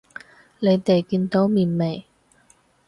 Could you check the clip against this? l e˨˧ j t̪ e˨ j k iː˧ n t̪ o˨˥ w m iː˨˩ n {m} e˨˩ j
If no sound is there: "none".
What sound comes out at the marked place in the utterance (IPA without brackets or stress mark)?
m